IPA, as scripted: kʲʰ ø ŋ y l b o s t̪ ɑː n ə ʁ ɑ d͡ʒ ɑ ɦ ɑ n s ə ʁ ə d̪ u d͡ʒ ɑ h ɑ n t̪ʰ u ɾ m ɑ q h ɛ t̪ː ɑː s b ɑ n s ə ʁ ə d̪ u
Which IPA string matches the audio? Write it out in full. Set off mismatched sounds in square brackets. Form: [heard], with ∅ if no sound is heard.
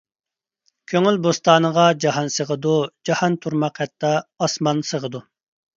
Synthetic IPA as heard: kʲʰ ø ŋ y l b o s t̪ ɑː n ə ʁ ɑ d͡ʒ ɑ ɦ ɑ n s ə ʁ ə d̪ u d͡ʒ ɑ h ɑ n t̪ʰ u ɾ m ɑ q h ɛ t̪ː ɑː s [m] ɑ n s ə ʁ ə d̪ u